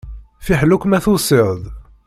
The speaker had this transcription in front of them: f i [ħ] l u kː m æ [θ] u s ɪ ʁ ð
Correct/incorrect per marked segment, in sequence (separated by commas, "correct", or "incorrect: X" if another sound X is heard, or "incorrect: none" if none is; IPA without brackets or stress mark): correct, correct